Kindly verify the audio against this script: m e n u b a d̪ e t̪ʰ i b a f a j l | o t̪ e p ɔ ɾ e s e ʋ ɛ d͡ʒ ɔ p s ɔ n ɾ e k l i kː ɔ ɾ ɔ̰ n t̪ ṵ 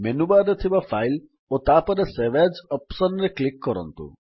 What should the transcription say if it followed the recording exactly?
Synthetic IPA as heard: m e n u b a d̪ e t̪ʰ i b a f a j l | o t̪ a p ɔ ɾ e s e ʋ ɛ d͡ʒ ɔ p s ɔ n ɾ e k l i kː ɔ ɾ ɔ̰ n t̪ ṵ